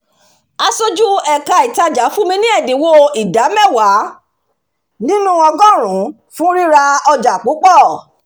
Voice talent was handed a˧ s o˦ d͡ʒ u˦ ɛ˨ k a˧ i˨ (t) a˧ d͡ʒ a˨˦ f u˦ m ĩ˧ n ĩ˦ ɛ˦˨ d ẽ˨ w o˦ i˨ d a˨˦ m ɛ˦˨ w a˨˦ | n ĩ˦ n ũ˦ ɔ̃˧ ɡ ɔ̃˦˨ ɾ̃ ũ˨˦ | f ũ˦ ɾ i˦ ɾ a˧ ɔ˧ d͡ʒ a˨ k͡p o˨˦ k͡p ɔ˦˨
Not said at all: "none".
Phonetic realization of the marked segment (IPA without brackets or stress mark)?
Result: t